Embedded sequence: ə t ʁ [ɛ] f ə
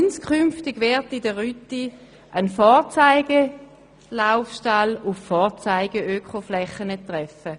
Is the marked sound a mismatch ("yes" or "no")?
no